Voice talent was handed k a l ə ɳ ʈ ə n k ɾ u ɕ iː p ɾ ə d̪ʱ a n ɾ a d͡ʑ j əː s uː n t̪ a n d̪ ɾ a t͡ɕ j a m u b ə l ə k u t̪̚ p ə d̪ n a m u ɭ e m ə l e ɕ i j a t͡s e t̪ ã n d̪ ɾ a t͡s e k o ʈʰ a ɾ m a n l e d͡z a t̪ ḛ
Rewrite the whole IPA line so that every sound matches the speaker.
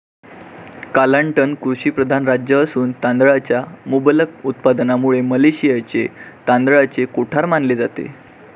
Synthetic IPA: k a l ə ɳ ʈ ə n k ɾ u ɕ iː p ɾ ə d̪ʱ a n ɾ a d͡ʑ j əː s uː n t̪ a n d̪ ɭ a t͡ɕ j a m u b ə l ə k u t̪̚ p a d̪ n a m u ɭ e m ə l e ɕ i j a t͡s e t̪ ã n d̪ ɭ a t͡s e k o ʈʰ a ɾ m a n l e d͡z a t̪ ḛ